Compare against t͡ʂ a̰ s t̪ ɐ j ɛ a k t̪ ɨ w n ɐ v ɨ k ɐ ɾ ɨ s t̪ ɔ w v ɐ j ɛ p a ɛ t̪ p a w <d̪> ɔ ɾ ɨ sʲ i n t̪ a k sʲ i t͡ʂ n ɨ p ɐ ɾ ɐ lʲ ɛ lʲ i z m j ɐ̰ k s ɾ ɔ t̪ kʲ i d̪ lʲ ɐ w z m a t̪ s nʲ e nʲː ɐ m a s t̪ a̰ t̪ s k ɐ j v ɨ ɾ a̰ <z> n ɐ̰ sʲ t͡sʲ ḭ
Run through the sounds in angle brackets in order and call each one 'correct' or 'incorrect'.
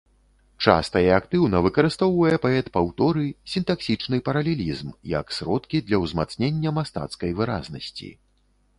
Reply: incorrect, correct

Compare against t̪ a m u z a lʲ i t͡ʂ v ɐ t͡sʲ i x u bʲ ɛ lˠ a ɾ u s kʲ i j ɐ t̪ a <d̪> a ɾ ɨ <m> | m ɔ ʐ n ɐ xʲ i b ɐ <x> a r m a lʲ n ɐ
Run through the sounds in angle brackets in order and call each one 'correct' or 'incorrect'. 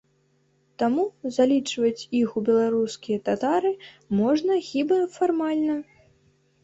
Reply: incorrect, incorrect, incorrect

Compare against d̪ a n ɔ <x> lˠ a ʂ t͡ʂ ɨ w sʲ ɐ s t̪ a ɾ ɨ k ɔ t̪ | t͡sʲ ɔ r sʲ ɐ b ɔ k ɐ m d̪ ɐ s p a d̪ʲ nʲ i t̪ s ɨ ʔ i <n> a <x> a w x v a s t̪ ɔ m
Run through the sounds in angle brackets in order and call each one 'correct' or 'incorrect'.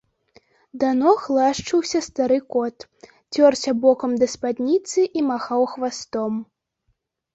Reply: correct, incorrect, correct

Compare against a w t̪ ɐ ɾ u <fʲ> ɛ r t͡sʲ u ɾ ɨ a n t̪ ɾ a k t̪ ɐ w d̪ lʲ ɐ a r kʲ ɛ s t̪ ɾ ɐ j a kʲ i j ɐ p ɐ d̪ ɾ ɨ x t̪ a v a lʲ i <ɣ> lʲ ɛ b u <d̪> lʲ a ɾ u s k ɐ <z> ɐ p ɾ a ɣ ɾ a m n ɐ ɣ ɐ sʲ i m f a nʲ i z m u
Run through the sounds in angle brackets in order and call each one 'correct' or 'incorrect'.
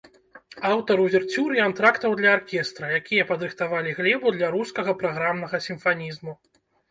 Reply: incorrect, correct, correct, incorrect

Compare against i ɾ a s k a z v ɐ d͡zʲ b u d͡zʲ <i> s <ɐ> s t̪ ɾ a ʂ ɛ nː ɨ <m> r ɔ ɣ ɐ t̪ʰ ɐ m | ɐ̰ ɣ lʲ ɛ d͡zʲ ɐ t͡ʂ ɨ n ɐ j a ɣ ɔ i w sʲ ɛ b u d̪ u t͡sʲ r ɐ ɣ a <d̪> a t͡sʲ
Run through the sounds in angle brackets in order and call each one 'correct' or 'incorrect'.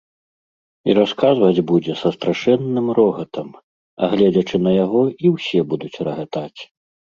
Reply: incorrect, correct, correct, incorrect

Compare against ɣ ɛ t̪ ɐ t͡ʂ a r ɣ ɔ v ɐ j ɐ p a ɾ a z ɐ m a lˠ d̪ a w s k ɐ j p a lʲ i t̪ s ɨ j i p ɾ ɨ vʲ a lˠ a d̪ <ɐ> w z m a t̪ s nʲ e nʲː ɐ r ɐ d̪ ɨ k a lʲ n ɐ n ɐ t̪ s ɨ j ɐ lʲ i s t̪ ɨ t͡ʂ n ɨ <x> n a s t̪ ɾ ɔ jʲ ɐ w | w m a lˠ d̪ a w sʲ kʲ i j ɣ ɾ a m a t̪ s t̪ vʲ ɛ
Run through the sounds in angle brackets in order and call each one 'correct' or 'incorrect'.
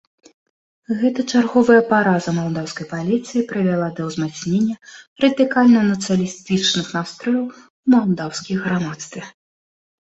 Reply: correct, correct

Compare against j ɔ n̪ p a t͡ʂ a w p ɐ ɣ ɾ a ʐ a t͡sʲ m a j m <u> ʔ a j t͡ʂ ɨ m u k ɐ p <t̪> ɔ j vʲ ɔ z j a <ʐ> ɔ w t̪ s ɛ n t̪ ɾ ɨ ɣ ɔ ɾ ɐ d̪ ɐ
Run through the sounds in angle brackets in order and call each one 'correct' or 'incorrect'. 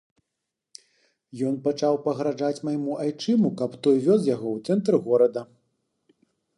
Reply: correct, correct, incorrect

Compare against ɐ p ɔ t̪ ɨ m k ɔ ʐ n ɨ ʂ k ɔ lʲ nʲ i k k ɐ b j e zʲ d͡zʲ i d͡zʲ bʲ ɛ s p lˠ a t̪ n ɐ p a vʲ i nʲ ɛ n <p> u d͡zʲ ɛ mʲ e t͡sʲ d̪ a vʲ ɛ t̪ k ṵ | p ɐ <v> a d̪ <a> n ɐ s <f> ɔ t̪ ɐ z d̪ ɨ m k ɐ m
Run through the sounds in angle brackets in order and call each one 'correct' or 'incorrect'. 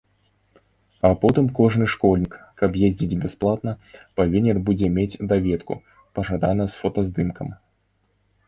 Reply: incorrect, incorrect, correct, correct

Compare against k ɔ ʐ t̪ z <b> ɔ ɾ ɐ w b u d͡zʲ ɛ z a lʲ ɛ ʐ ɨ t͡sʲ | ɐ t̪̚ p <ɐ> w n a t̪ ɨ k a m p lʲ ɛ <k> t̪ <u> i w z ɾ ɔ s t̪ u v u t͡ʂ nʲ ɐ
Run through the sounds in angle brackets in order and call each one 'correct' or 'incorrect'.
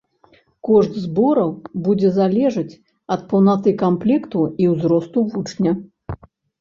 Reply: correct, correct, correct, correct

